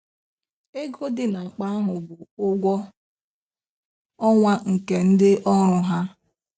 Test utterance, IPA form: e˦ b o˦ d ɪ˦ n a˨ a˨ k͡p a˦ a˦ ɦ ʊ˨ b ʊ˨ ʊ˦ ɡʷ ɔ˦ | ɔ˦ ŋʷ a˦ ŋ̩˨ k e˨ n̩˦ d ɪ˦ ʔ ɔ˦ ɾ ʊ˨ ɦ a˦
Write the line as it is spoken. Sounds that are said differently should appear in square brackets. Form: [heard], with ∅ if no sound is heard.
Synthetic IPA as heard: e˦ [ɡ] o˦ d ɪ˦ n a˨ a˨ k͡p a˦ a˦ ɦ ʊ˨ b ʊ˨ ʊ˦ ɡʷ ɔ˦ | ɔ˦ ŋʷ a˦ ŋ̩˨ k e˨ n̩˦ d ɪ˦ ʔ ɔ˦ ɾ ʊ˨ ɦ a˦

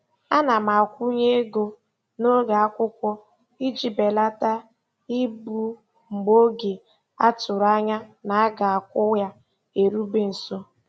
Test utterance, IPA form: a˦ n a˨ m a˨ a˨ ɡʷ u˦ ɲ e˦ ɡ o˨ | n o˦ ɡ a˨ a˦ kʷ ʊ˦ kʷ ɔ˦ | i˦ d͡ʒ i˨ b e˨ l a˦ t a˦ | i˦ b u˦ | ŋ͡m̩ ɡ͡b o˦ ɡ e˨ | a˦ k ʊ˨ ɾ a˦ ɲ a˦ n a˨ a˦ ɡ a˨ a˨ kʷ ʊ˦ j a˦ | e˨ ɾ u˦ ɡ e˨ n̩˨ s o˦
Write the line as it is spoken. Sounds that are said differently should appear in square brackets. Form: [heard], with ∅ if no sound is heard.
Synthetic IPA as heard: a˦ n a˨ m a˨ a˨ [kʷ] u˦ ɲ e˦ ɡ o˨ | n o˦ ɡ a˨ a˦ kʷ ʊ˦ kʷ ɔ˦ | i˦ d͡ʒ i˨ b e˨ l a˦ t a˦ | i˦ b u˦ | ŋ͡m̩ ɡ͡b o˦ ɡ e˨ | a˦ [t] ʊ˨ ɾ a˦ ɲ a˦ n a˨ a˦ ɡ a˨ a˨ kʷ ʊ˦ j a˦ | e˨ ɾ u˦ [b] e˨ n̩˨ s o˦

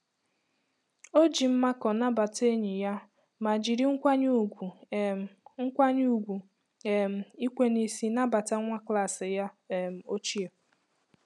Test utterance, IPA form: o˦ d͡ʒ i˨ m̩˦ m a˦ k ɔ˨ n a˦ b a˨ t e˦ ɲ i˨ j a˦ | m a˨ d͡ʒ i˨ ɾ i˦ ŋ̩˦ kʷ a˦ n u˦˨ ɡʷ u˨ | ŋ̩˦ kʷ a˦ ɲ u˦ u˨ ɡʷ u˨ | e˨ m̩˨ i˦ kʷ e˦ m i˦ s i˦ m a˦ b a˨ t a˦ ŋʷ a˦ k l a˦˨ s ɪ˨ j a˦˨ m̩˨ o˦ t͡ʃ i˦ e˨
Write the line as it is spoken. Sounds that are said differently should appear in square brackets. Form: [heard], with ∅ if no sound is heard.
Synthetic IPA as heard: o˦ d͡ʒ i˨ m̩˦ m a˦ k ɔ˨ n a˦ b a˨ t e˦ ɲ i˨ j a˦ | m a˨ d͡ʒ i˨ ɾ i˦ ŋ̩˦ kʷ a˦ [ɲ] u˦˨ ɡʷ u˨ | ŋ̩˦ kʷ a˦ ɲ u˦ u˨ ɡʷ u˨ | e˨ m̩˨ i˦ kʷ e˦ [n] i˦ s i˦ [n] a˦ b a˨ t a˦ ŋʷ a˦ k l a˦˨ s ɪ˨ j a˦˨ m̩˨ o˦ t͡ʃ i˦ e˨

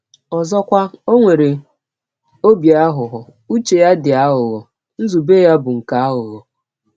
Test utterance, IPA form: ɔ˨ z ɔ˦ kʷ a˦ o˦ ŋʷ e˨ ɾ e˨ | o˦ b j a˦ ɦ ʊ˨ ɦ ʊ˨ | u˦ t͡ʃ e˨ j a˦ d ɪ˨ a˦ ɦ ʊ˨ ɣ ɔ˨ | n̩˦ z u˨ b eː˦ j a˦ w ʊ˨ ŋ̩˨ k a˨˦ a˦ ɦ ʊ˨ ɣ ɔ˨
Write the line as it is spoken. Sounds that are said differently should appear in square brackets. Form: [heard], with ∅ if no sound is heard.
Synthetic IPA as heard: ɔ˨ z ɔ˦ kʷ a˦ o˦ ŋʷ e˨ ɾ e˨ | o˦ b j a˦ ɦ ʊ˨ ɦ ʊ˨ | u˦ t͡ʃ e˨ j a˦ d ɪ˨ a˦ ɦ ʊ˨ ɣ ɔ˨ | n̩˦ z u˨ b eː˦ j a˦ [b] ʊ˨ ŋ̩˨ k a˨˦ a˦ ɦ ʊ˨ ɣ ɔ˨

